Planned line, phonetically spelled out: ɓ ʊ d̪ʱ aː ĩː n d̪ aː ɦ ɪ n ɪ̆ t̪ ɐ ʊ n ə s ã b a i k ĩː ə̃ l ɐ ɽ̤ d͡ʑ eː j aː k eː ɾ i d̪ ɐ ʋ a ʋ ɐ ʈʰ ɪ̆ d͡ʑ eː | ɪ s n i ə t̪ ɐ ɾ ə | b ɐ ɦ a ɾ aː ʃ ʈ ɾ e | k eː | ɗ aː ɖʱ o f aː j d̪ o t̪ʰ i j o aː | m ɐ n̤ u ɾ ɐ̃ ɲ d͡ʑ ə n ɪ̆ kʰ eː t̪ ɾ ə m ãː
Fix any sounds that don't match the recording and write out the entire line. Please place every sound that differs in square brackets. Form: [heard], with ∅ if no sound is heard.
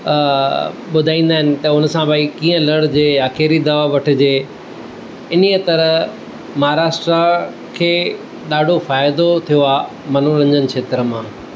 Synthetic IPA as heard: ɓ ʊ d̪ʱ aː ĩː n d̪ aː ɦ ɪ n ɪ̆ t̪ ɐ ʊ n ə s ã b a i k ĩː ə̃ l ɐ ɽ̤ d͡ʑ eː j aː k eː ɾ i d̪ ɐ ʋ a ʋ ɐ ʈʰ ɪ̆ d͡ʑ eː | ɪ [∅] n i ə t̪ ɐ ɾ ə | [m] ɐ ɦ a ɾ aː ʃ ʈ ɾ [a] | [kʰ] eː | ɗ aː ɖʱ o f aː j d̪ o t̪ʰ i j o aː | m ɐ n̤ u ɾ ɐ̃ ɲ d͡ʑ ə n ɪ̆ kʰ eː t̪ ɾ ə m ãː